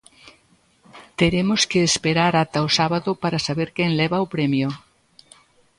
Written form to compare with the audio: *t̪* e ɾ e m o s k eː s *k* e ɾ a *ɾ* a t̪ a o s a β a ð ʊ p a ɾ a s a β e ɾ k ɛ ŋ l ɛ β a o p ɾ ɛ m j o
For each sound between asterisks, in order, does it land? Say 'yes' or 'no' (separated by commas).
yes, no, yes